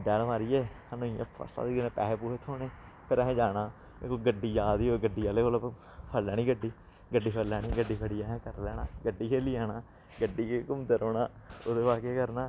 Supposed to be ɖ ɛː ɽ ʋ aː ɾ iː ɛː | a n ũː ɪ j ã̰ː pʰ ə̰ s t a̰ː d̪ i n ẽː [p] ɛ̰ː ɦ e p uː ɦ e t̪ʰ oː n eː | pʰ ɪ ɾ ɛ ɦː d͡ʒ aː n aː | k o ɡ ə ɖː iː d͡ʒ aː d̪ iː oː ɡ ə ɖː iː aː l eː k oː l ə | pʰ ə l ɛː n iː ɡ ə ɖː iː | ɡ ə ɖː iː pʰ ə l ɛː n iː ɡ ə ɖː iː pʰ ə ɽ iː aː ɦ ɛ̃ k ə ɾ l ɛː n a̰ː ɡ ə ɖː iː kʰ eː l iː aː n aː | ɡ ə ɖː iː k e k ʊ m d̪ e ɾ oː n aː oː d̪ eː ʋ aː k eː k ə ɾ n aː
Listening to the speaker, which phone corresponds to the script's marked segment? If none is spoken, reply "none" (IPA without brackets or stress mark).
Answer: p